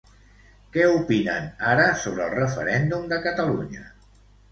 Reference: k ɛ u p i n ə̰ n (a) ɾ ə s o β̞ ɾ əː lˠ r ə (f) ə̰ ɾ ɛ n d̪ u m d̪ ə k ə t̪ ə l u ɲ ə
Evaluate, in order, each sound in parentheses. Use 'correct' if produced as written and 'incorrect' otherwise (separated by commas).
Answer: correct, correct